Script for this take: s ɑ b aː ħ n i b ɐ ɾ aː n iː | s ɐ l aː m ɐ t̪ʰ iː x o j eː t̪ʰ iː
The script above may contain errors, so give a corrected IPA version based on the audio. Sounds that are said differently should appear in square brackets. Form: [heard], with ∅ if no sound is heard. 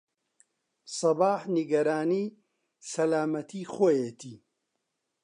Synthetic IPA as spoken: s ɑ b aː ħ n i [ɡ] ɐ ɾ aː n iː | s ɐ l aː m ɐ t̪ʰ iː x o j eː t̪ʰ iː